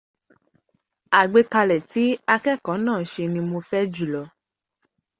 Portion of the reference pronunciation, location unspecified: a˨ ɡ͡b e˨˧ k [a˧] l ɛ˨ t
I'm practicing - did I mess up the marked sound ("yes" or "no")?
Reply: no